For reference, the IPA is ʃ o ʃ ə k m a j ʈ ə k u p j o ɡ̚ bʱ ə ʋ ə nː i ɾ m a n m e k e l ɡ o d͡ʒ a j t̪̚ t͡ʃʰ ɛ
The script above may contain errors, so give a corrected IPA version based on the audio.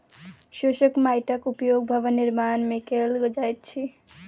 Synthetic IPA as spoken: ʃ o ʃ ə k m a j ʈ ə k u p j o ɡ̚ bʱ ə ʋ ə n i ɾ m a n m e k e l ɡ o d͡ʒ a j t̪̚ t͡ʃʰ i